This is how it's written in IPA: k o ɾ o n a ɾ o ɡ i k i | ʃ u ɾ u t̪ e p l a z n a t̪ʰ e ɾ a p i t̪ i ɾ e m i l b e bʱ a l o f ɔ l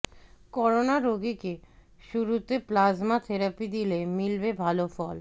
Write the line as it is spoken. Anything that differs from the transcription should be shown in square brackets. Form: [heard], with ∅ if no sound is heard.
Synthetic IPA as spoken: k [ɔ] ɾ o n a ɾ o ɡ i k [e] | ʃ u ɾ u t̪ e p l a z [m] a t̪ʰ e ɾ a p i [d̪] i [l] e m i l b e bʱ a l o f ɔ l

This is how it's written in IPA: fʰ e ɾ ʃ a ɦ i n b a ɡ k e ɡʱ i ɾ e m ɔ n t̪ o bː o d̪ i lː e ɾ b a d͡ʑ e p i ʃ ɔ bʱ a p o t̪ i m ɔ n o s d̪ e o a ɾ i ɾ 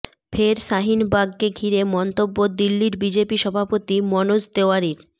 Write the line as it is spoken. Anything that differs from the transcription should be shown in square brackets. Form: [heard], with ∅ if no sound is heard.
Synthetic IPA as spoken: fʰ e ɾ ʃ a ɦ i n b a ɡ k e ɡʱ i ɾ e m ɔ n t̪ o bː o d̪ i lː [i] ɾ b [i] d͡ʑ e p i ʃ ɔ bʱ a p o t̪ i m ɔ n o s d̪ e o a ɾ i ɾ

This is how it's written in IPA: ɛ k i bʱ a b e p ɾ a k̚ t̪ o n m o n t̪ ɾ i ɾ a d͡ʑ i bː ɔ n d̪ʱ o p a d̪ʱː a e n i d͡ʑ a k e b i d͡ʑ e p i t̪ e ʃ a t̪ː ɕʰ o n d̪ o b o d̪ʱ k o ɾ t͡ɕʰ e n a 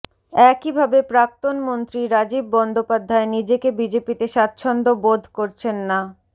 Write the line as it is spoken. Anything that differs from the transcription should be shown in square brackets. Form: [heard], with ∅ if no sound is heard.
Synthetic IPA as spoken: ɛ k i bʱ a b e p ɾ a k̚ t̪ o n m o n t̪ ɾ i ɾ a d͡ʑ i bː ɔ n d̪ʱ o p a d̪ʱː a e n i d͡ʑ [e] k e b i d͡ʑ e p i t̪ e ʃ a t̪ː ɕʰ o n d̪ o b o d̪ʱ k o ɾ t͡ɕʰ e [nː] a

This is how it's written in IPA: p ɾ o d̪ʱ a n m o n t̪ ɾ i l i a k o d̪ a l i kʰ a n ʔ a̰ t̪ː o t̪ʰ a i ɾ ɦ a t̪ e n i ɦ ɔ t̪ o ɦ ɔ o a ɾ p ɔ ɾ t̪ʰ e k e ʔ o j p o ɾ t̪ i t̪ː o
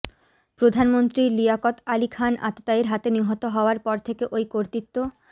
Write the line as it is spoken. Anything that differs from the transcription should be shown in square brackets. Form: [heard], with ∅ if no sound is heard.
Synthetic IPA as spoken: p ɾ o d̪ʱ a n m o n t̪ ɾ i l i a k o [t̪] a l i kʰ a n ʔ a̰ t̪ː o [t̪] a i ɾ ɦ a t̪ e n i ɦ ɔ t̪ o ɦ ɔ o a ɾ p ɔ ɾ t̪ʰ e k e ʔ o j [k] o ɾ t̪ i t̪ː o

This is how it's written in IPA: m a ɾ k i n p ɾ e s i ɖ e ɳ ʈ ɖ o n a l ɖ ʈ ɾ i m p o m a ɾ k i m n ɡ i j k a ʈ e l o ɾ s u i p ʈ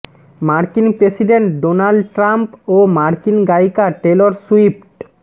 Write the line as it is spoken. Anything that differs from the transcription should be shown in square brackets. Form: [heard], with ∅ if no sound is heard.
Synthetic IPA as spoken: m a ɾ k i n p ɾ e s i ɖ e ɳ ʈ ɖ o n a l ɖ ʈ ɾ [a] m p o m a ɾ k i [∅] n ɡ [a] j k a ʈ e l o ɾ s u i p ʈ

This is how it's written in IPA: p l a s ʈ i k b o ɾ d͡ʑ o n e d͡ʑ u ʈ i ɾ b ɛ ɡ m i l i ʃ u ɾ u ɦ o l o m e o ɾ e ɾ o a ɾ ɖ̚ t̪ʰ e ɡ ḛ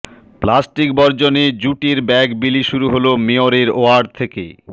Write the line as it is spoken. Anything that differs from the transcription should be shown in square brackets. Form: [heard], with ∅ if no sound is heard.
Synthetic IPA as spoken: p l a s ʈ i k b [ɔ] ɾ d͡ʑ o n e d͡ʑ u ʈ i ɾ b ɛ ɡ [b] i l i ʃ u ɾ u ɦ o l o m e o ɾ e ɾ o a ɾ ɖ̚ t̪ʰ e [k] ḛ

